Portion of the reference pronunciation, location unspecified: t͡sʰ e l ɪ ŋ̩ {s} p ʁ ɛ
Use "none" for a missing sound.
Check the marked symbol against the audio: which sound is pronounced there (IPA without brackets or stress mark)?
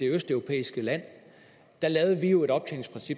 s